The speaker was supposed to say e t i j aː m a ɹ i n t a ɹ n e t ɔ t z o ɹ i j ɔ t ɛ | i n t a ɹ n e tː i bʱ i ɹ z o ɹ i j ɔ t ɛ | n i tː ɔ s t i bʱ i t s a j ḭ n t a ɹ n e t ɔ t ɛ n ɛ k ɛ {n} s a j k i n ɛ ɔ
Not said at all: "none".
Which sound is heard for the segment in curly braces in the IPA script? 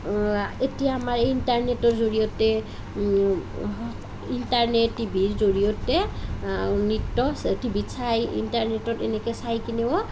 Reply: none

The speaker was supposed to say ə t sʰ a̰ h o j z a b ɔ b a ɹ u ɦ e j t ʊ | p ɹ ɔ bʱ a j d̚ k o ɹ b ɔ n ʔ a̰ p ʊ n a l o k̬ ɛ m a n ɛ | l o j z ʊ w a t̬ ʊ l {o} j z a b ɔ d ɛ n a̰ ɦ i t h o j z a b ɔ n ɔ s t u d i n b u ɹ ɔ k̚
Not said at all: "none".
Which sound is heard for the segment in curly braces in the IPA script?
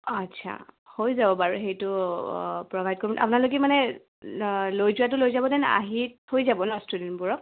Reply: o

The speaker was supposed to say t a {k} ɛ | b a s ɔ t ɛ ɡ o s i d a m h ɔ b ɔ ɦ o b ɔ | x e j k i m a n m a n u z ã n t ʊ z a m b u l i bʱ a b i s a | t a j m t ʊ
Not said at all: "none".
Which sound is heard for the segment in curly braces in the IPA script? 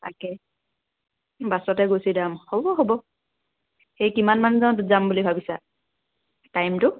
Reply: k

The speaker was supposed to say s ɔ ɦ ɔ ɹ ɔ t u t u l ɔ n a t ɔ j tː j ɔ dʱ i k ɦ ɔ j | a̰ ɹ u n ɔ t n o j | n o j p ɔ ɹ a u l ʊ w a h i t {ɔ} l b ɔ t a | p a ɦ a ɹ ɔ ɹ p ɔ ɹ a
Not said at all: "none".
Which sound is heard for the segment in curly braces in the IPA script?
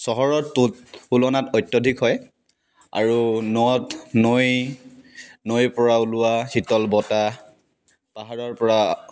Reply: ɔ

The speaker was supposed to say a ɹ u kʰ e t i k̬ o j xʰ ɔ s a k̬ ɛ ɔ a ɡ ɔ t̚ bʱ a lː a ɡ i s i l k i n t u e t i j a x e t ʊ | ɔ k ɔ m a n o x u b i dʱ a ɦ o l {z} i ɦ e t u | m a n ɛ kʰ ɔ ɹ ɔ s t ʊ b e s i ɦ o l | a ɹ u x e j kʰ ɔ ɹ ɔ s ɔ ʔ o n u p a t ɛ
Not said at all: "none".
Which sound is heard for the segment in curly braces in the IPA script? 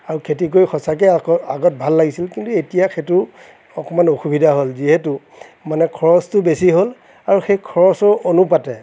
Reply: z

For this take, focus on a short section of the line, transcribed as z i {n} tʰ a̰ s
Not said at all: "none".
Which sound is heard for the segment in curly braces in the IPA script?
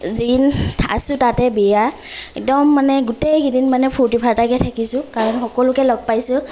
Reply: n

